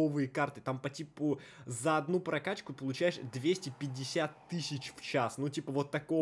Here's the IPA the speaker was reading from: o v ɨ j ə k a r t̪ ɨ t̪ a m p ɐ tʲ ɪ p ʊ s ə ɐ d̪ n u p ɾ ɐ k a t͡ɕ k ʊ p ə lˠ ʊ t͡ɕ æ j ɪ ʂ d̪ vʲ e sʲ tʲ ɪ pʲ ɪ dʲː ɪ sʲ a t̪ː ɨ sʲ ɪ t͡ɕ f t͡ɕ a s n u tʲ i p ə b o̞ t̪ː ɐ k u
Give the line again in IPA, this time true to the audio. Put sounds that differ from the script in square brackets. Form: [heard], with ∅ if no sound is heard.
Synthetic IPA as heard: o v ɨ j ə k a r t̪ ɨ t̪ a m p ɐ tʲ [i] p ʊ [z] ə ɐ d̪ n u p ɾ ɐ k a t͡ɕ k ʊ p ə lˠ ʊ t͡ɕ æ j ɪ ʂ d̪ vʲ e sʲ tʲ ɪ pʲ ɪ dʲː ɪ sʲ a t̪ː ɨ sʲ ɪ t͡ɕ f t͡ɕ a s n u tʲ i p ə [v] o̞ t̪ː ɐ k [o]